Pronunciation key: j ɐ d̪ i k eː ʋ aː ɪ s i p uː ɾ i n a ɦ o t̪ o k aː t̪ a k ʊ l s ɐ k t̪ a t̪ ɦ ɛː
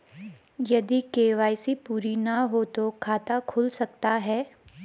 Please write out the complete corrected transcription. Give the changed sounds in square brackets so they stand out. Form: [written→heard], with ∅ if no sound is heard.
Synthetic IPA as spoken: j ɐ d̪ i k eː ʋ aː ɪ s i p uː ɾ i n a ɦ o t̪ o [k→kʰ] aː t̪ a [k→kʰ] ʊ l s ɐ k t̪ a [t̪→∅] ɦ ɛː